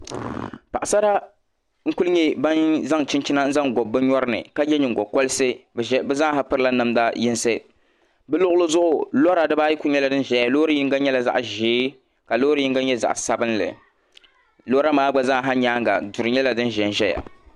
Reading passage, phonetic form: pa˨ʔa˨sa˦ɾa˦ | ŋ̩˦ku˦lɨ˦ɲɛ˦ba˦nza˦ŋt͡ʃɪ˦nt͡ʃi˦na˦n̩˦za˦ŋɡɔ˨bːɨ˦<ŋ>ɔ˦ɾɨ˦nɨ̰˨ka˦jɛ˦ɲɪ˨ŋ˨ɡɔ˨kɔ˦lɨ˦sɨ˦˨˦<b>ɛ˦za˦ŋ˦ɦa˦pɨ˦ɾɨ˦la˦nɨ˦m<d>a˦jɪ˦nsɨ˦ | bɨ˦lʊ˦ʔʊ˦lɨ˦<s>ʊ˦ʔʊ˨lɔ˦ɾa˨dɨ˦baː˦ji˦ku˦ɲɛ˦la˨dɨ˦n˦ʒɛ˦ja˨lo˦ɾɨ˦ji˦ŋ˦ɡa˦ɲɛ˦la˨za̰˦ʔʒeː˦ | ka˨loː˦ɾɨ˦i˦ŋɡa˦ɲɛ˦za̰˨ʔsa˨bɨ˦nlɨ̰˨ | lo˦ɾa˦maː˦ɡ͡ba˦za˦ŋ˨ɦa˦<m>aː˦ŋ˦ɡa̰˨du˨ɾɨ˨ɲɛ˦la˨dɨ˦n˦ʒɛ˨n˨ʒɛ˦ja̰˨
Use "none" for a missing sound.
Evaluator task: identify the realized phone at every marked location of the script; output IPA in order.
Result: ɲ, b, d, z, ɲ

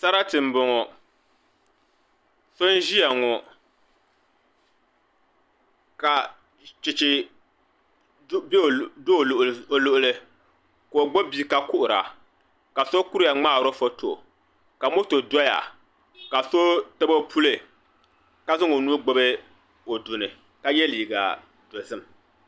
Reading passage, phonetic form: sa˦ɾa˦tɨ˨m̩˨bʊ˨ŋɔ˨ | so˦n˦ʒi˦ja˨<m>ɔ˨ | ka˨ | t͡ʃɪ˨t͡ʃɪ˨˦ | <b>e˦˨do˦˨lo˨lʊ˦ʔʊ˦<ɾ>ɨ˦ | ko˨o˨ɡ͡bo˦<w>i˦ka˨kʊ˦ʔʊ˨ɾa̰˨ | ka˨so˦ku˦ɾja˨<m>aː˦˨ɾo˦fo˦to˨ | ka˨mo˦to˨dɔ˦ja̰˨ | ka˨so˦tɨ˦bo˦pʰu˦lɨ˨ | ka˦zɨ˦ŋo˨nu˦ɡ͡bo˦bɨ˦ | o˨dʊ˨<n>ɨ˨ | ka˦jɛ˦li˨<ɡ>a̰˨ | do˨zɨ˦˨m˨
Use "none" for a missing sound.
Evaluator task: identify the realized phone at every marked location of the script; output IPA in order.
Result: ŋ, b, l, b, ŋ͡m, n, ɡ

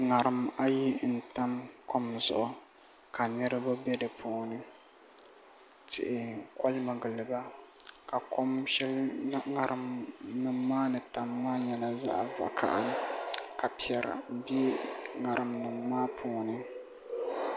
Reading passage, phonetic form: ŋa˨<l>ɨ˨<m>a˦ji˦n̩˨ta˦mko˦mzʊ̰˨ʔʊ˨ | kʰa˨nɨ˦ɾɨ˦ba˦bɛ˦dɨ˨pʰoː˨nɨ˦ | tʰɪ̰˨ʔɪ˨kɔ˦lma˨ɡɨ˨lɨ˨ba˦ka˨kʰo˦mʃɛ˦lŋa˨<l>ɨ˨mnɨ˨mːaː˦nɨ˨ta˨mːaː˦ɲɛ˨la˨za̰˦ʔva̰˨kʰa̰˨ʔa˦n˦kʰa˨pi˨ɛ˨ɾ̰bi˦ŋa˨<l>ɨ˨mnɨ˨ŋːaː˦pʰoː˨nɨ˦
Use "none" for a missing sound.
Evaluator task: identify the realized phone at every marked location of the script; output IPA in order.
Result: ɾ, m, ɾ, ɾ

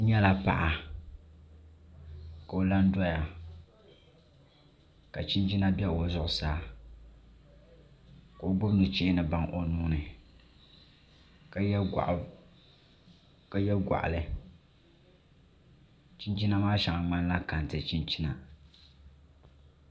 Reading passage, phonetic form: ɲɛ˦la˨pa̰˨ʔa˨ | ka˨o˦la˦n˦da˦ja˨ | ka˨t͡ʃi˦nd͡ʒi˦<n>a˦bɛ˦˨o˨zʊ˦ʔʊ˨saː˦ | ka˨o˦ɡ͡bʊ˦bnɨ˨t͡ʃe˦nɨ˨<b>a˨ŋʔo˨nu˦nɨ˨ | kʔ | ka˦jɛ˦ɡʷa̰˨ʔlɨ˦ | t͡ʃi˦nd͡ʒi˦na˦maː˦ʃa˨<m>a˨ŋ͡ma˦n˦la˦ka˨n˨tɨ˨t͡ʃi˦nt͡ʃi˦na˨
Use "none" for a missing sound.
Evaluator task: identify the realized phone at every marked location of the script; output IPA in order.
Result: n, b, ŋ

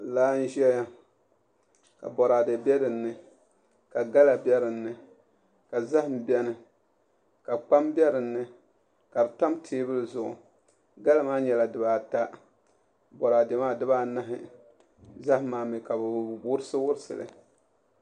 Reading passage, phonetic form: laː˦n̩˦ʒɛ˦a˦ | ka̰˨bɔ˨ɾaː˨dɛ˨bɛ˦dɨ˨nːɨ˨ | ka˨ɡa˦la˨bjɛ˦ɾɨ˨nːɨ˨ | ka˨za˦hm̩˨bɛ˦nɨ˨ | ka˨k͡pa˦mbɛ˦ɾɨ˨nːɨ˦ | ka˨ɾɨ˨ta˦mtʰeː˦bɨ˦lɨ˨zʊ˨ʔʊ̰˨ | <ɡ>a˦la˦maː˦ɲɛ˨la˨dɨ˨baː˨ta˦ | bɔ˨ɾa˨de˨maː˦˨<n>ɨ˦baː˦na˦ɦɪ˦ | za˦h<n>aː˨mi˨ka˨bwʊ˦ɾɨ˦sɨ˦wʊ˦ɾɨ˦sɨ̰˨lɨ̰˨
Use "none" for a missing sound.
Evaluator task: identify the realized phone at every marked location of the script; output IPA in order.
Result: ɡ, d, m

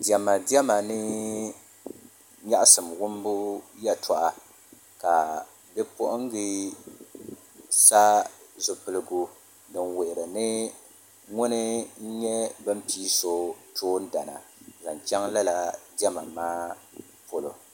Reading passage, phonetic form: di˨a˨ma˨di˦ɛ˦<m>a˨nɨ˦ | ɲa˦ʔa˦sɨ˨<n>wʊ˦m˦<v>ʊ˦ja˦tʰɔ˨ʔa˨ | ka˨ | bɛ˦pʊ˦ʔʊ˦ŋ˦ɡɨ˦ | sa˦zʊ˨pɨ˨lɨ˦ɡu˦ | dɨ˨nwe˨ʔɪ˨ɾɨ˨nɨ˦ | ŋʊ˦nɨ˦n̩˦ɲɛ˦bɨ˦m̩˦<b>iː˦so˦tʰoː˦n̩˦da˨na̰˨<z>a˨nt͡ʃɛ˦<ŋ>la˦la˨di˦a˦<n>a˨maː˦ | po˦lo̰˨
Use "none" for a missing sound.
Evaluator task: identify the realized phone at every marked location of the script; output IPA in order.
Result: m, m, b, p, z, ŋ, m

